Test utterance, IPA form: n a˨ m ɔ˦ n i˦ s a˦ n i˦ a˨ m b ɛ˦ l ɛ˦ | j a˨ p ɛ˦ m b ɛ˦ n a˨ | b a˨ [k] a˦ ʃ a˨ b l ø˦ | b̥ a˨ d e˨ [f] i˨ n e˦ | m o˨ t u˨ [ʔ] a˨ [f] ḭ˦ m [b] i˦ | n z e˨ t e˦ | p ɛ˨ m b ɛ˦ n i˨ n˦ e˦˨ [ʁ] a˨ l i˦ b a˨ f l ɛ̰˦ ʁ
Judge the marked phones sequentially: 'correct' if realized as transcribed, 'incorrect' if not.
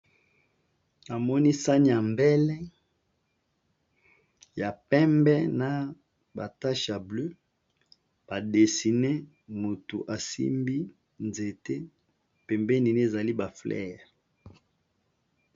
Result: incorrect, incorrect, correct, incorrect, correct, incorrect

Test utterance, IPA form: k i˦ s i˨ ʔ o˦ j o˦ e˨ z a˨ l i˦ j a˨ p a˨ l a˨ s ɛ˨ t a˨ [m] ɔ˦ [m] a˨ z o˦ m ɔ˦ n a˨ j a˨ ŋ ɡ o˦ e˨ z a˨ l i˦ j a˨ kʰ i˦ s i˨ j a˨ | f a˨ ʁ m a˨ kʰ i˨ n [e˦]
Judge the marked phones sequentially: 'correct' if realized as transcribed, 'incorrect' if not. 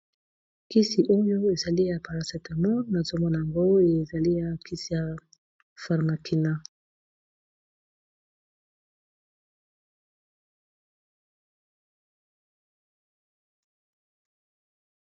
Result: correct, incorrect, incorrect

